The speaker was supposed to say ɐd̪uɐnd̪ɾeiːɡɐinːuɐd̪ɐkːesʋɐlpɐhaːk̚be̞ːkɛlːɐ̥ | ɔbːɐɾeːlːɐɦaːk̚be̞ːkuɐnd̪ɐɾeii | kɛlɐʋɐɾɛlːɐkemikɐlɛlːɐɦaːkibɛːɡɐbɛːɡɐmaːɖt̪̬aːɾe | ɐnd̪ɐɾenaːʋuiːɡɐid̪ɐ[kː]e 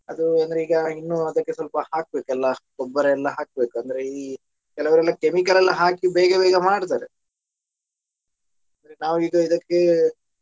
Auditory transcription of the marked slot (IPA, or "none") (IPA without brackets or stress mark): kː